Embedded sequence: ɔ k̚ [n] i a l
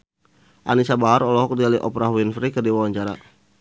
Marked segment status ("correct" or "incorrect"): incorrect